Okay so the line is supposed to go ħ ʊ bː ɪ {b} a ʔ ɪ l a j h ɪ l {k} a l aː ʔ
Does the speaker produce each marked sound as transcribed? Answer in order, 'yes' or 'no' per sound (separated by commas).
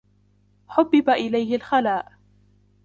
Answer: yes, no